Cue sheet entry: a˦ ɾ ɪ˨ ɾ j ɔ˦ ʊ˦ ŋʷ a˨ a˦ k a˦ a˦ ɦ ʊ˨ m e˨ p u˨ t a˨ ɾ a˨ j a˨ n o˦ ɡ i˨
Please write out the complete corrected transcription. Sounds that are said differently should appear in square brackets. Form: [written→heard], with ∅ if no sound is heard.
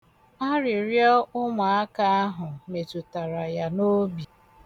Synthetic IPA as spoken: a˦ ɾ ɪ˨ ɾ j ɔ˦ ʊ˦ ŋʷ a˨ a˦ k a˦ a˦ ɦ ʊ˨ m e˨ [p→t] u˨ t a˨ ɾ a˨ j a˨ n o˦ [ɡ→b] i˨